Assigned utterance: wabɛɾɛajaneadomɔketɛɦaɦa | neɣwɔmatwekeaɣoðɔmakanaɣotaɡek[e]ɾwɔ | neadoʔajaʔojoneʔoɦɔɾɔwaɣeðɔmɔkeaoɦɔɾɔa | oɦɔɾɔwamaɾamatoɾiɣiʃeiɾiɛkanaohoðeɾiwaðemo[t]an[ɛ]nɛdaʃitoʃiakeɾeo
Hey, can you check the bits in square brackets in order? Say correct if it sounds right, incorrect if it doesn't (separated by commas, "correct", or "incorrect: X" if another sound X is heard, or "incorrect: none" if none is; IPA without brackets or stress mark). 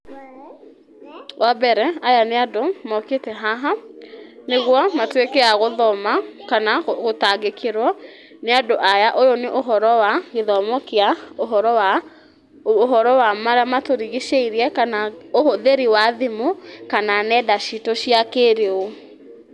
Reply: correct, incorrect: k, incorrect: a